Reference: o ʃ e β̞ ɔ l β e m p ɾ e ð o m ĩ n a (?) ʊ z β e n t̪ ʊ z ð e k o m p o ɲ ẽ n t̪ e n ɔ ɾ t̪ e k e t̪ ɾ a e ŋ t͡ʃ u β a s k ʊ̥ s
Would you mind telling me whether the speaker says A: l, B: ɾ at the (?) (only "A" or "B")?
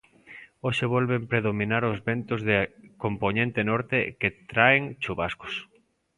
B